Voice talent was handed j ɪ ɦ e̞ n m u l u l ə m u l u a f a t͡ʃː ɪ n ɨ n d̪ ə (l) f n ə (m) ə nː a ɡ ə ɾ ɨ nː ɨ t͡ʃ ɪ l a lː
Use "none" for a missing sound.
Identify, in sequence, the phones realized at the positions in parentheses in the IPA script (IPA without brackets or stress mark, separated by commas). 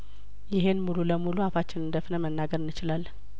none, m